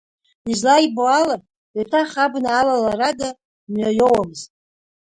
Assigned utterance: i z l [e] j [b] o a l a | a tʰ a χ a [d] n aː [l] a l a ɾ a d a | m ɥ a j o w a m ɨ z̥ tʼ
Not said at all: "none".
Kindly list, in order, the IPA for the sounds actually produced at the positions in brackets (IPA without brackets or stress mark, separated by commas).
a, b, b, l